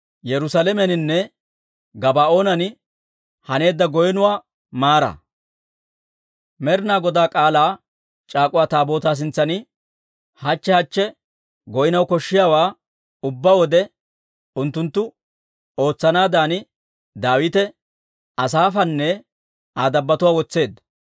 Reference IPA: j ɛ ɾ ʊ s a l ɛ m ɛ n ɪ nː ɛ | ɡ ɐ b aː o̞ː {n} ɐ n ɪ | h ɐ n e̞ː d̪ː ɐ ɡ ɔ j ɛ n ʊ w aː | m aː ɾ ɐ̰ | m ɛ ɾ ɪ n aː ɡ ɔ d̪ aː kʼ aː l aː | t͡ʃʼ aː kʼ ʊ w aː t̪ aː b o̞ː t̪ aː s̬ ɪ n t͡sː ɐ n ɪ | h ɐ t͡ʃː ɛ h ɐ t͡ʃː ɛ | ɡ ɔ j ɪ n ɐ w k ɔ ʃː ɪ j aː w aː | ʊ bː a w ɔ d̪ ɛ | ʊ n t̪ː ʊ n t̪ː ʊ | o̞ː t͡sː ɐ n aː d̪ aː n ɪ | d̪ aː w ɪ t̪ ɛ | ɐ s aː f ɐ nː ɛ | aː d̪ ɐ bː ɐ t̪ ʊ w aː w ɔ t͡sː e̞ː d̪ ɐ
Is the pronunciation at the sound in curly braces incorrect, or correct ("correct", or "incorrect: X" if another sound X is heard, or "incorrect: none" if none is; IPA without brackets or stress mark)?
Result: correct